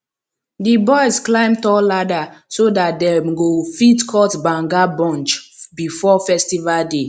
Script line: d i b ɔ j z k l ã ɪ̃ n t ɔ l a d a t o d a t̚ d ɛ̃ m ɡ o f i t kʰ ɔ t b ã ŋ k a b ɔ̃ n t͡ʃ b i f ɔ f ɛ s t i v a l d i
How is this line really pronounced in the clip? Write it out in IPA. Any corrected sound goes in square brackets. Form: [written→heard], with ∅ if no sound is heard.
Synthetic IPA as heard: d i b ɔ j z k l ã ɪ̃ [n→m] t ɔ l a d a [t→s] o d a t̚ d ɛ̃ m ɡ o f i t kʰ ɔ t b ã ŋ [k→ɡ] a b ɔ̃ n t͡ʃ b i f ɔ f ɛ s t i v a l d [i→e]